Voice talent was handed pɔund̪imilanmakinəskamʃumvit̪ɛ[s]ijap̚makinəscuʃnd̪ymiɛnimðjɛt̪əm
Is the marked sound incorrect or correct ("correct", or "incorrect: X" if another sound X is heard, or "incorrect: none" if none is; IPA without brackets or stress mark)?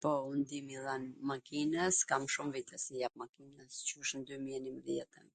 correct